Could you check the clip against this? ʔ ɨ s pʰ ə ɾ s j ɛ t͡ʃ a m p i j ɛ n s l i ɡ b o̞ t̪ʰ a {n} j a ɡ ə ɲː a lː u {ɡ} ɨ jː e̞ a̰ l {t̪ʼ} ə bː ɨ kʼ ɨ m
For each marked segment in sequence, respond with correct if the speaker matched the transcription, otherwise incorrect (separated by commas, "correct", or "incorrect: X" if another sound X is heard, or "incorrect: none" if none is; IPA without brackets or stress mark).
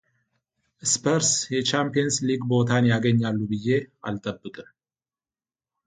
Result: correct, incorrect: b, correct